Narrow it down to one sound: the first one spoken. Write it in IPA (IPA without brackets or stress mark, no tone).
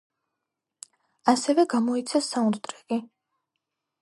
a